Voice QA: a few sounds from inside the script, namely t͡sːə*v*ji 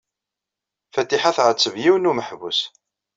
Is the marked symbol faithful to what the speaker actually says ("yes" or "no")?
yes